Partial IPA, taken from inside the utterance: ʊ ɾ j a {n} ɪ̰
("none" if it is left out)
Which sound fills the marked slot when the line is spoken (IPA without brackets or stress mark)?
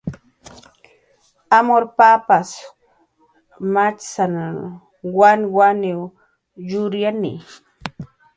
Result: n